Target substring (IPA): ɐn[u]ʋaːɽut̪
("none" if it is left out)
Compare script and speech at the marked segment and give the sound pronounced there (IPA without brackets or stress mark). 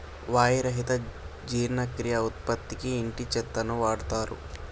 u